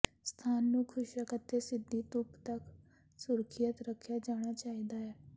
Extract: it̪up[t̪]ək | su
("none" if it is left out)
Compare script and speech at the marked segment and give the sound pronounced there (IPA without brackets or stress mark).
t̪